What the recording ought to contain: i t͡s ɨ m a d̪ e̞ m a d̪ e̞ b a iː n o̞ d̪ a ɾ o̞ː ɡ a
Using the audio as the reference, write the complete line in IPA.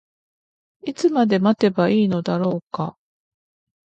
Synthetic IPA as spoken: i t͡s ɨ m a d̪ e̞ m a t̪ e̞ b a iː n o̞ d̪ a ɾ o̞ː k a